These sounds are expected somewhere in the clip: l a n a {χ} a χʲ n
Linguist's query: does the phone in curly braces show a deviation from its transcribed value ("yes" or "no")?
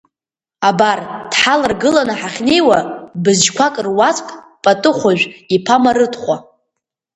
yes